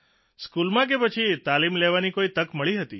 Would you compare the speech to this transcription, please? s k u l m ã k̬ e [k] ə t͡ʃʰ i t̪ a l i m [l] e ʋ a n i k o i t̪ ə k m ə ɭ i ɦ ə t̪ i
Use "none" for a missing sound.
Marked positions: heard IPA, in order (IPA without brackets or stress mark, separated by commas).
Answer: p, l